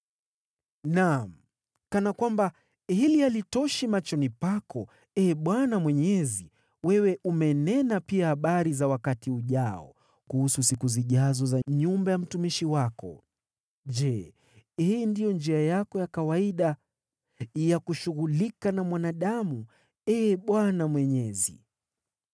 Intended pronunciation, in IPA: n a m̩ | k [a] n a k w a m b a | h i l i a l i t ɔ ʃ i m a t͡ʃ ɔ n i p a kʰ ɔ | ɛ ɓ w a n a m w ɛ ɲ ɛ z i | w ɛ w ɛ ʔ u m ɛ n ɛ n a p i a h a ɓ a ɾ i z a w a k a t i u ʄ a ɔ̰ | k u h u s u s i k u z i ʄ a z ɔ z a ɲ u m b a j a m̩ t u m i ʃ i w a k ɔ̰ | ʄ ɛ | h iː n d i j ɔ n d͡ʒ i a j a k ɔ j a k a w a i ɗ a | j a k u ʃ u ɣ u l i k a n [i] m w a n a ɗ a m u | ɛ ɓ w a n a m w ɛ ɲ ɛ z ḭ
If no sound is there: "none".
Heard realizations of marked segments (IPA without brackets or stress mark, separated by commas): a, a